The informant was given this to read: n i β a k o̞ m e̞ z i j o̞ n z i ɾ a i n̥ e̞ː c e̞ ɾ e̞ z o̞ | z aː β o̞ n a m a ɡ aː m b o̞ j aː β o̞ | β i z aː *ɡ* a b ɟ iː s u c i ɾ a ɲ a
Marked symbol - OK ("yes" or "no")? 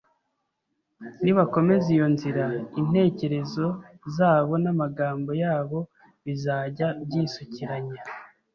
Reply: no